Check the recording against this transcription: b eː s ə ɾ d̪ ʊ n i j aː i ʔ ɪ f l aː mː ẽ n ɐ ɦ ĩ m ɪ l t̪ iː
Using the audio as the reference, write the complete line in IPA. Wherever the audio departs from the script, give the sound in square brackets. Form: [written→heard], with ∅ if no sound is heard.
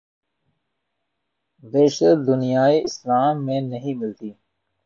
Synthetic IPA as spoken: b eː [s→ʃ] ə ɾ d̪ ʊ n i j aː i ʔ ɪ [f→s] l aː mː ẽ n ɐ ɦ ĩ m ɪ l t̪ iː